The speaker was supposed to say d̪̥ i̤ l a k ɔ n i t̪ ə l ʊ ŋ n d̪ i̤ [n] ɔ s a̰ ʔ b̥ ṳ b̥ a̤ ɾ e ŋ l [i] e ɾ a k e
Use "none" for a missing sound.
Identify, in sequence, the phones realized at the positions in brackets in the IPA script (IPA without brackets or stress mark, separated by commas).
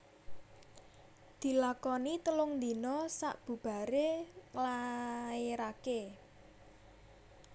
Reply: n, a